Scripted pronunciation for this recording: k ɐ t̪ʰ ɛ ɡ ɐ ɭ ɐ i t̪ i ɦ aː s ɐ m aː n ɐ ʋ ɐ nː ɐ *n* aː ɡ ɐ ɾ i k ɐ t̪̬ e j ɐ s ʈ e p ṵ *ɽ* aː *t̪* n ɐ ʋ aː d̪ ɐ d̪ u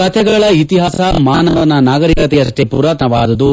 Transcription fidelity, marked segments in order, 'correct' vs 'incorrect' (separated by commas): correct, incorrect, correct